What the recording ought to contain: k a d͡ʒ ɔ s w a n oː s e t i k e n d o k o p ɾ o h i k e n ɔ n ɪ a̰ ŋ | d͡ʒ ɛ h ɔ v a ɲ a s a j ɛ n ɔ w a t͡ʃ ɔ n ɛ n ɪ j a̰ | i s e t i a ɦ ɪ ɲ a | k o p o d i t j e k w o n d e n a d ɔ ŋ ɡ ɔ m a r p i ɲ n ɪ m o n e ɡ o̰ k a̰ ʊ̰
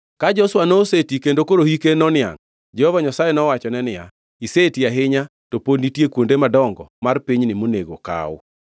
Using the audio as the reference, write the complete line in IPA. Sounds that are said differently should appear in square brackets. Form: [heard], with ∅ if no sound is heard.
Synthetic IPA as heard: k a d͡ʒ ɔ s w a n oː s e t i k e n d o k o [∅] ɾ o h i k e n ɔ n ɪ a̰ ŋ | d͡ʒ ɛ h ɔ v a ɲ a s a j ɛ n ɔ w a t͡ʃ ɔ n ɛ n ɪ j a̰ | i s e t i a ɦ ɪ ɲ a | [t] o p o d i t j e k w o n d e [m] a d ɔ ŋ ɡ ɔ m a r p i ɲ n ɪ m o n e ɡ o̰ k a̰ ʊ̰